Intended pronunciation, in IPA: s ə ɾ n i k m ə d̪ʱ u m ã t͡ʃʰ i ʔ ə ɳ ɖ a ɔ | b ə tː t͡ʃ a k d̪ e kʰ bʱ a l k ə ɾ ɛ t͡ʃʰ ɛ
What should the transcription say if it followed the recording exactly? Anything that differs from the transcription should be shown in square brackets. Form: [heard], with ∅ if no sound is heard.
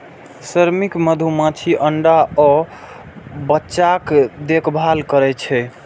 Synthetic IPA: s ə ɾ [m] i k m ə d̪ʱ u m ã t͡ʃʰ i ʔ ə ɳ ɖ a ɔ | b ə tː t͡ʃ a k d̪ e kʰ bʱ a l k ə ɾ ɛ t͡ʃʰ ɛ